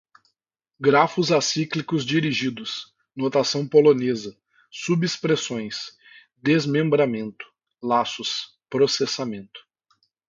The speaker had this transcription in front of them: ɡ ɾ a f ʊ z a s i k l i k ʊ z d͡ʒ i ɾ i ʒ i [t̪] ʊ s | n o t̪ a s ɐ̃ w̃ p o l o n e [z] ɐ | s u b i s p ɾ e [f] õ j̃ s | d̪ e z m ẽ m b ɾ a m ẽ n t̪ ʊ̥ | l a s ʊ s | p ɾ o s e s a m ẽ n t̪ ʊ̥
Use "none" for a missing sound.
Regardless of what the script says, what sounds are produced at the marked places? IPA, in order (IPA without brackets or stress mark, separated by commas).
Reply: d̪, z, s